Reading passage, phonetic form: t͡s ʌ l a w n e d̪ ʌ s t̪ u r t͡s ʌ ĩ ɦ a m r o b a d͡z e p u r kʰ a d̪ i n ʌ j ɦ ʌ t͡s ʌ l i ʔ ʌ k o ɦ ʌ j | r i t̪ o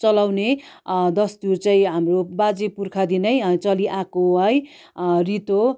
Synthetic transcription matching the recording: t͡s ʌ l a w n e d̪ ʌ s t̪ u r t͡s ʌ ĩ ɦ a m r o b a d͡z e p u r kʰ a d̪ i n ʌ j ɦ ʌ t͡s ʌ l i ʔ a k o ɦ ʌ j | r i t̪ o